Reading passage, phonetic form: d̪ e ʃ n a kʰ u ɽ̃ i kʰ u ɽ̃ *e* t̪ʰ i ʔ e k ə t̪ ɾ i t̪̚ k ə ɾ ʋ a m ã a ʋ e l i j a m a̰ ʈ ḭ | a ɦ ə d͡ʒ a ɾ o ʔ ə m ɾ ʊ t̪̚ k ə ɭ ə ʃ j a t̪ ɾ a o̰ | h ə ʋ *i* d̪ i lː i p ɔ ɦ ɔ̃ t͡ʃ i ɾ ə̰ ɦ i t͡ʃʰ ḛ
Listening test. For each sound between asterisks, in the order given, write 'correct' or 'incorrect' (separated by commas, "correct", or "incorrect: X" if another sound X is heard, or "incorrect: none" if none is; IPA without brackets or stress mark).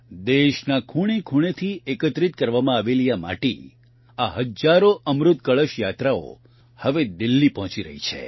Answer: correct, incorrect: e